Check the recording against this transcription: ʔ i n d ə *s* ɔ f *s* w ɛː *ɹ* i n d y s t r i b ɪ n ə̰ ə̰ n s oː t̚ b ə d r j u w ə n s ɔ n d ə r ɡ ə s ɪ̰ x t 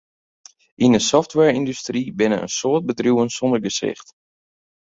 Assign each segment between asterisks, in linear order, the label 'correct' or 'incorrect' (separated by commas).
correct, incorrect, correct